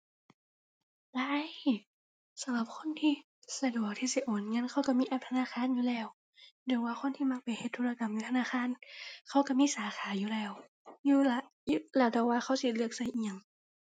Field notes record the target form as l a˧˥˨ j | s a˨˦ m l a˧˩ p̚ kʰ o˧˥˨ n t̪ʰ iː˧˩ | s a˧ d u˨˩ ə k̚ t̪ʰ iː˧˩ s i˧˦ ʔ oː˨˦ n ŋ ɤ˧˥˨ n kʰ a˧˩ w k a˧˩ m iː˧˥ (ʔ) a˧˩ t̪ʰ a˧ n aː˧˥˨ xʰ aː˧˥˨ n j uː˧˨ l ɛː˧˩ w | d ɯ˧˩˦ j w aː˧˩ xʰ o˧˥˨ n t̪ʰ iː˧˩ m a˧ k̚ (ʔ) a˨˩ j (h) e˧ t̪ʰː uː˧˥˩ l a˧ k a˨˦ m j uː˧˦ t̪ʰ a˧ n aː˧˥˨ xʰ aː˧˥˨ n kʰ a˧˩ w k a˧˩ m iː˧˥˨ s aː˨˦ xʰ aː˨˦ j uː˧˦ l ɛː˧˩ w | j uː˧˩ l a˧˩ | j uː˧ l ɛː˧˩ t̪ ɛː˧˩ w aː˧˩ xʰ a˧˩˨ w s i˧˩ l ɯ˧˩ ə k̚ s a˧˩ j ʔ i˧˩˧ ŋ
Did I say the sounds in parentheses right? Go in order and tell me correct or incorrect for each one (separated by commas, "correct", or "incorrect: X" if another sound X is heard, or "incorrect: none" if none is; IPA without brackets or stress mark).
correct, incorrect: p, correct